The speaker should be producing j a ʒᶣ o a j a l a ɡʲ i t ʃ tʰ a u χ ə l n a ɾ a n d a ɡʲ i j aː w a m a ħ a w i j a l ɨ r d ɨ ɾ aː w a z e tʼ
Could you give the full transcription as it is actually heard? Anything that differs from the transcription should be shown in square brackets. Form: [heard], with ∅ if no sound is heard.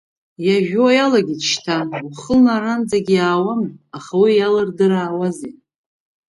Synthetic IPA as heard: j a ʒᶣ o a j a l a ɡʲ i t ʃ tʰ a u χ ə l n a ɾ a n [d͡z] a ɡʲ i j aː w a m a [χ] a w i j a l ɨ r d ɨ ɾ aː w a z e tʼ